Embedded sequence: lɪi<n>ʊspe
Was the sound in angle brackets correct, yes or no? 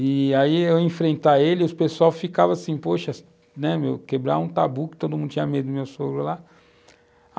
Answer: no